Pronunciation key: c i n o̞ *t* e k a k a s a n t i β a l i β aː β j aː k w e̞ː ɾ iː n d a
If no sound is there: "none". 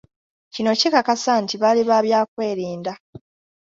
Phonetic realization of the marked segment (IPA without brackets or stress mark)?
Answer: c